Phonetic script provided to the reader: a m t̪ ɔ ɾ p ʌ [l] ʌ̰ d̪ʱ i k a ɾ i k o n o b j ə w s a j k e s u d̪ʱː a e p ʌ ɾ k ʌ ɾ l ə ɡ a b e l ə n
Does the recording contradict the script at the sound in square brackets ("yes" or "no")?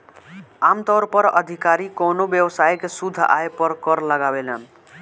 yes